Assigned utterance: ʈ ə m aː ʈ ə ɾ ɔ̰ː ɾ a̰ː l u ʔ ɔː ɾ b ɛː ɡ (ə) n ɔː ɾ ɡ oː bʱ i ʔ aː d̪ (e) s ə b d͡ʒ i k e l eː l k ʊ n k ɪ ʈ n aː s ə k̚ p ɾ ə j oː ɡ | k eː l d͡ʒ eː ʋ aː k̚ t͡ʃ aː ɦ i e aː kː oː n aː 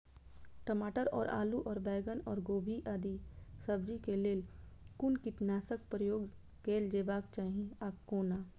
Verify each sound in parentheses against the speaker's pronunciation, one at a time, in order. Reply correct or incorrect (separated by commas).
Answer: correct, incorrect